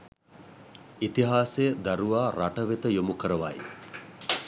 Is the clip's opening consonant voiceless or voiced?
voiceless